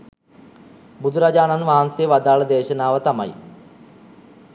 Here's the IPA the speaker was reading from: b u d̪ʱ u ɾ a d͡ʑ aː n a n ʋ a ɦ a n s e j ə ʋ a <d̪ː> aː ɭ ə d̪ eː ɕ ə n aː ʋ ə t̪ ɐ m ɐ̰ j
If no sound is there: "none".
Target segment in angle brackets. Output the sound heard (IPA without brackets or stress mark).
d̪